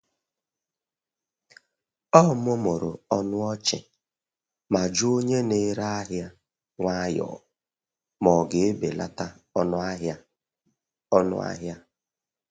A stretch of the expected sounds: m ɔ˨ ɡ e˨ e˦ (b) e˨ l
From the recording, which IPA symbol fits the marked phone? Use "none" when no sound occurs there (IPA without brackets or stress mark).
b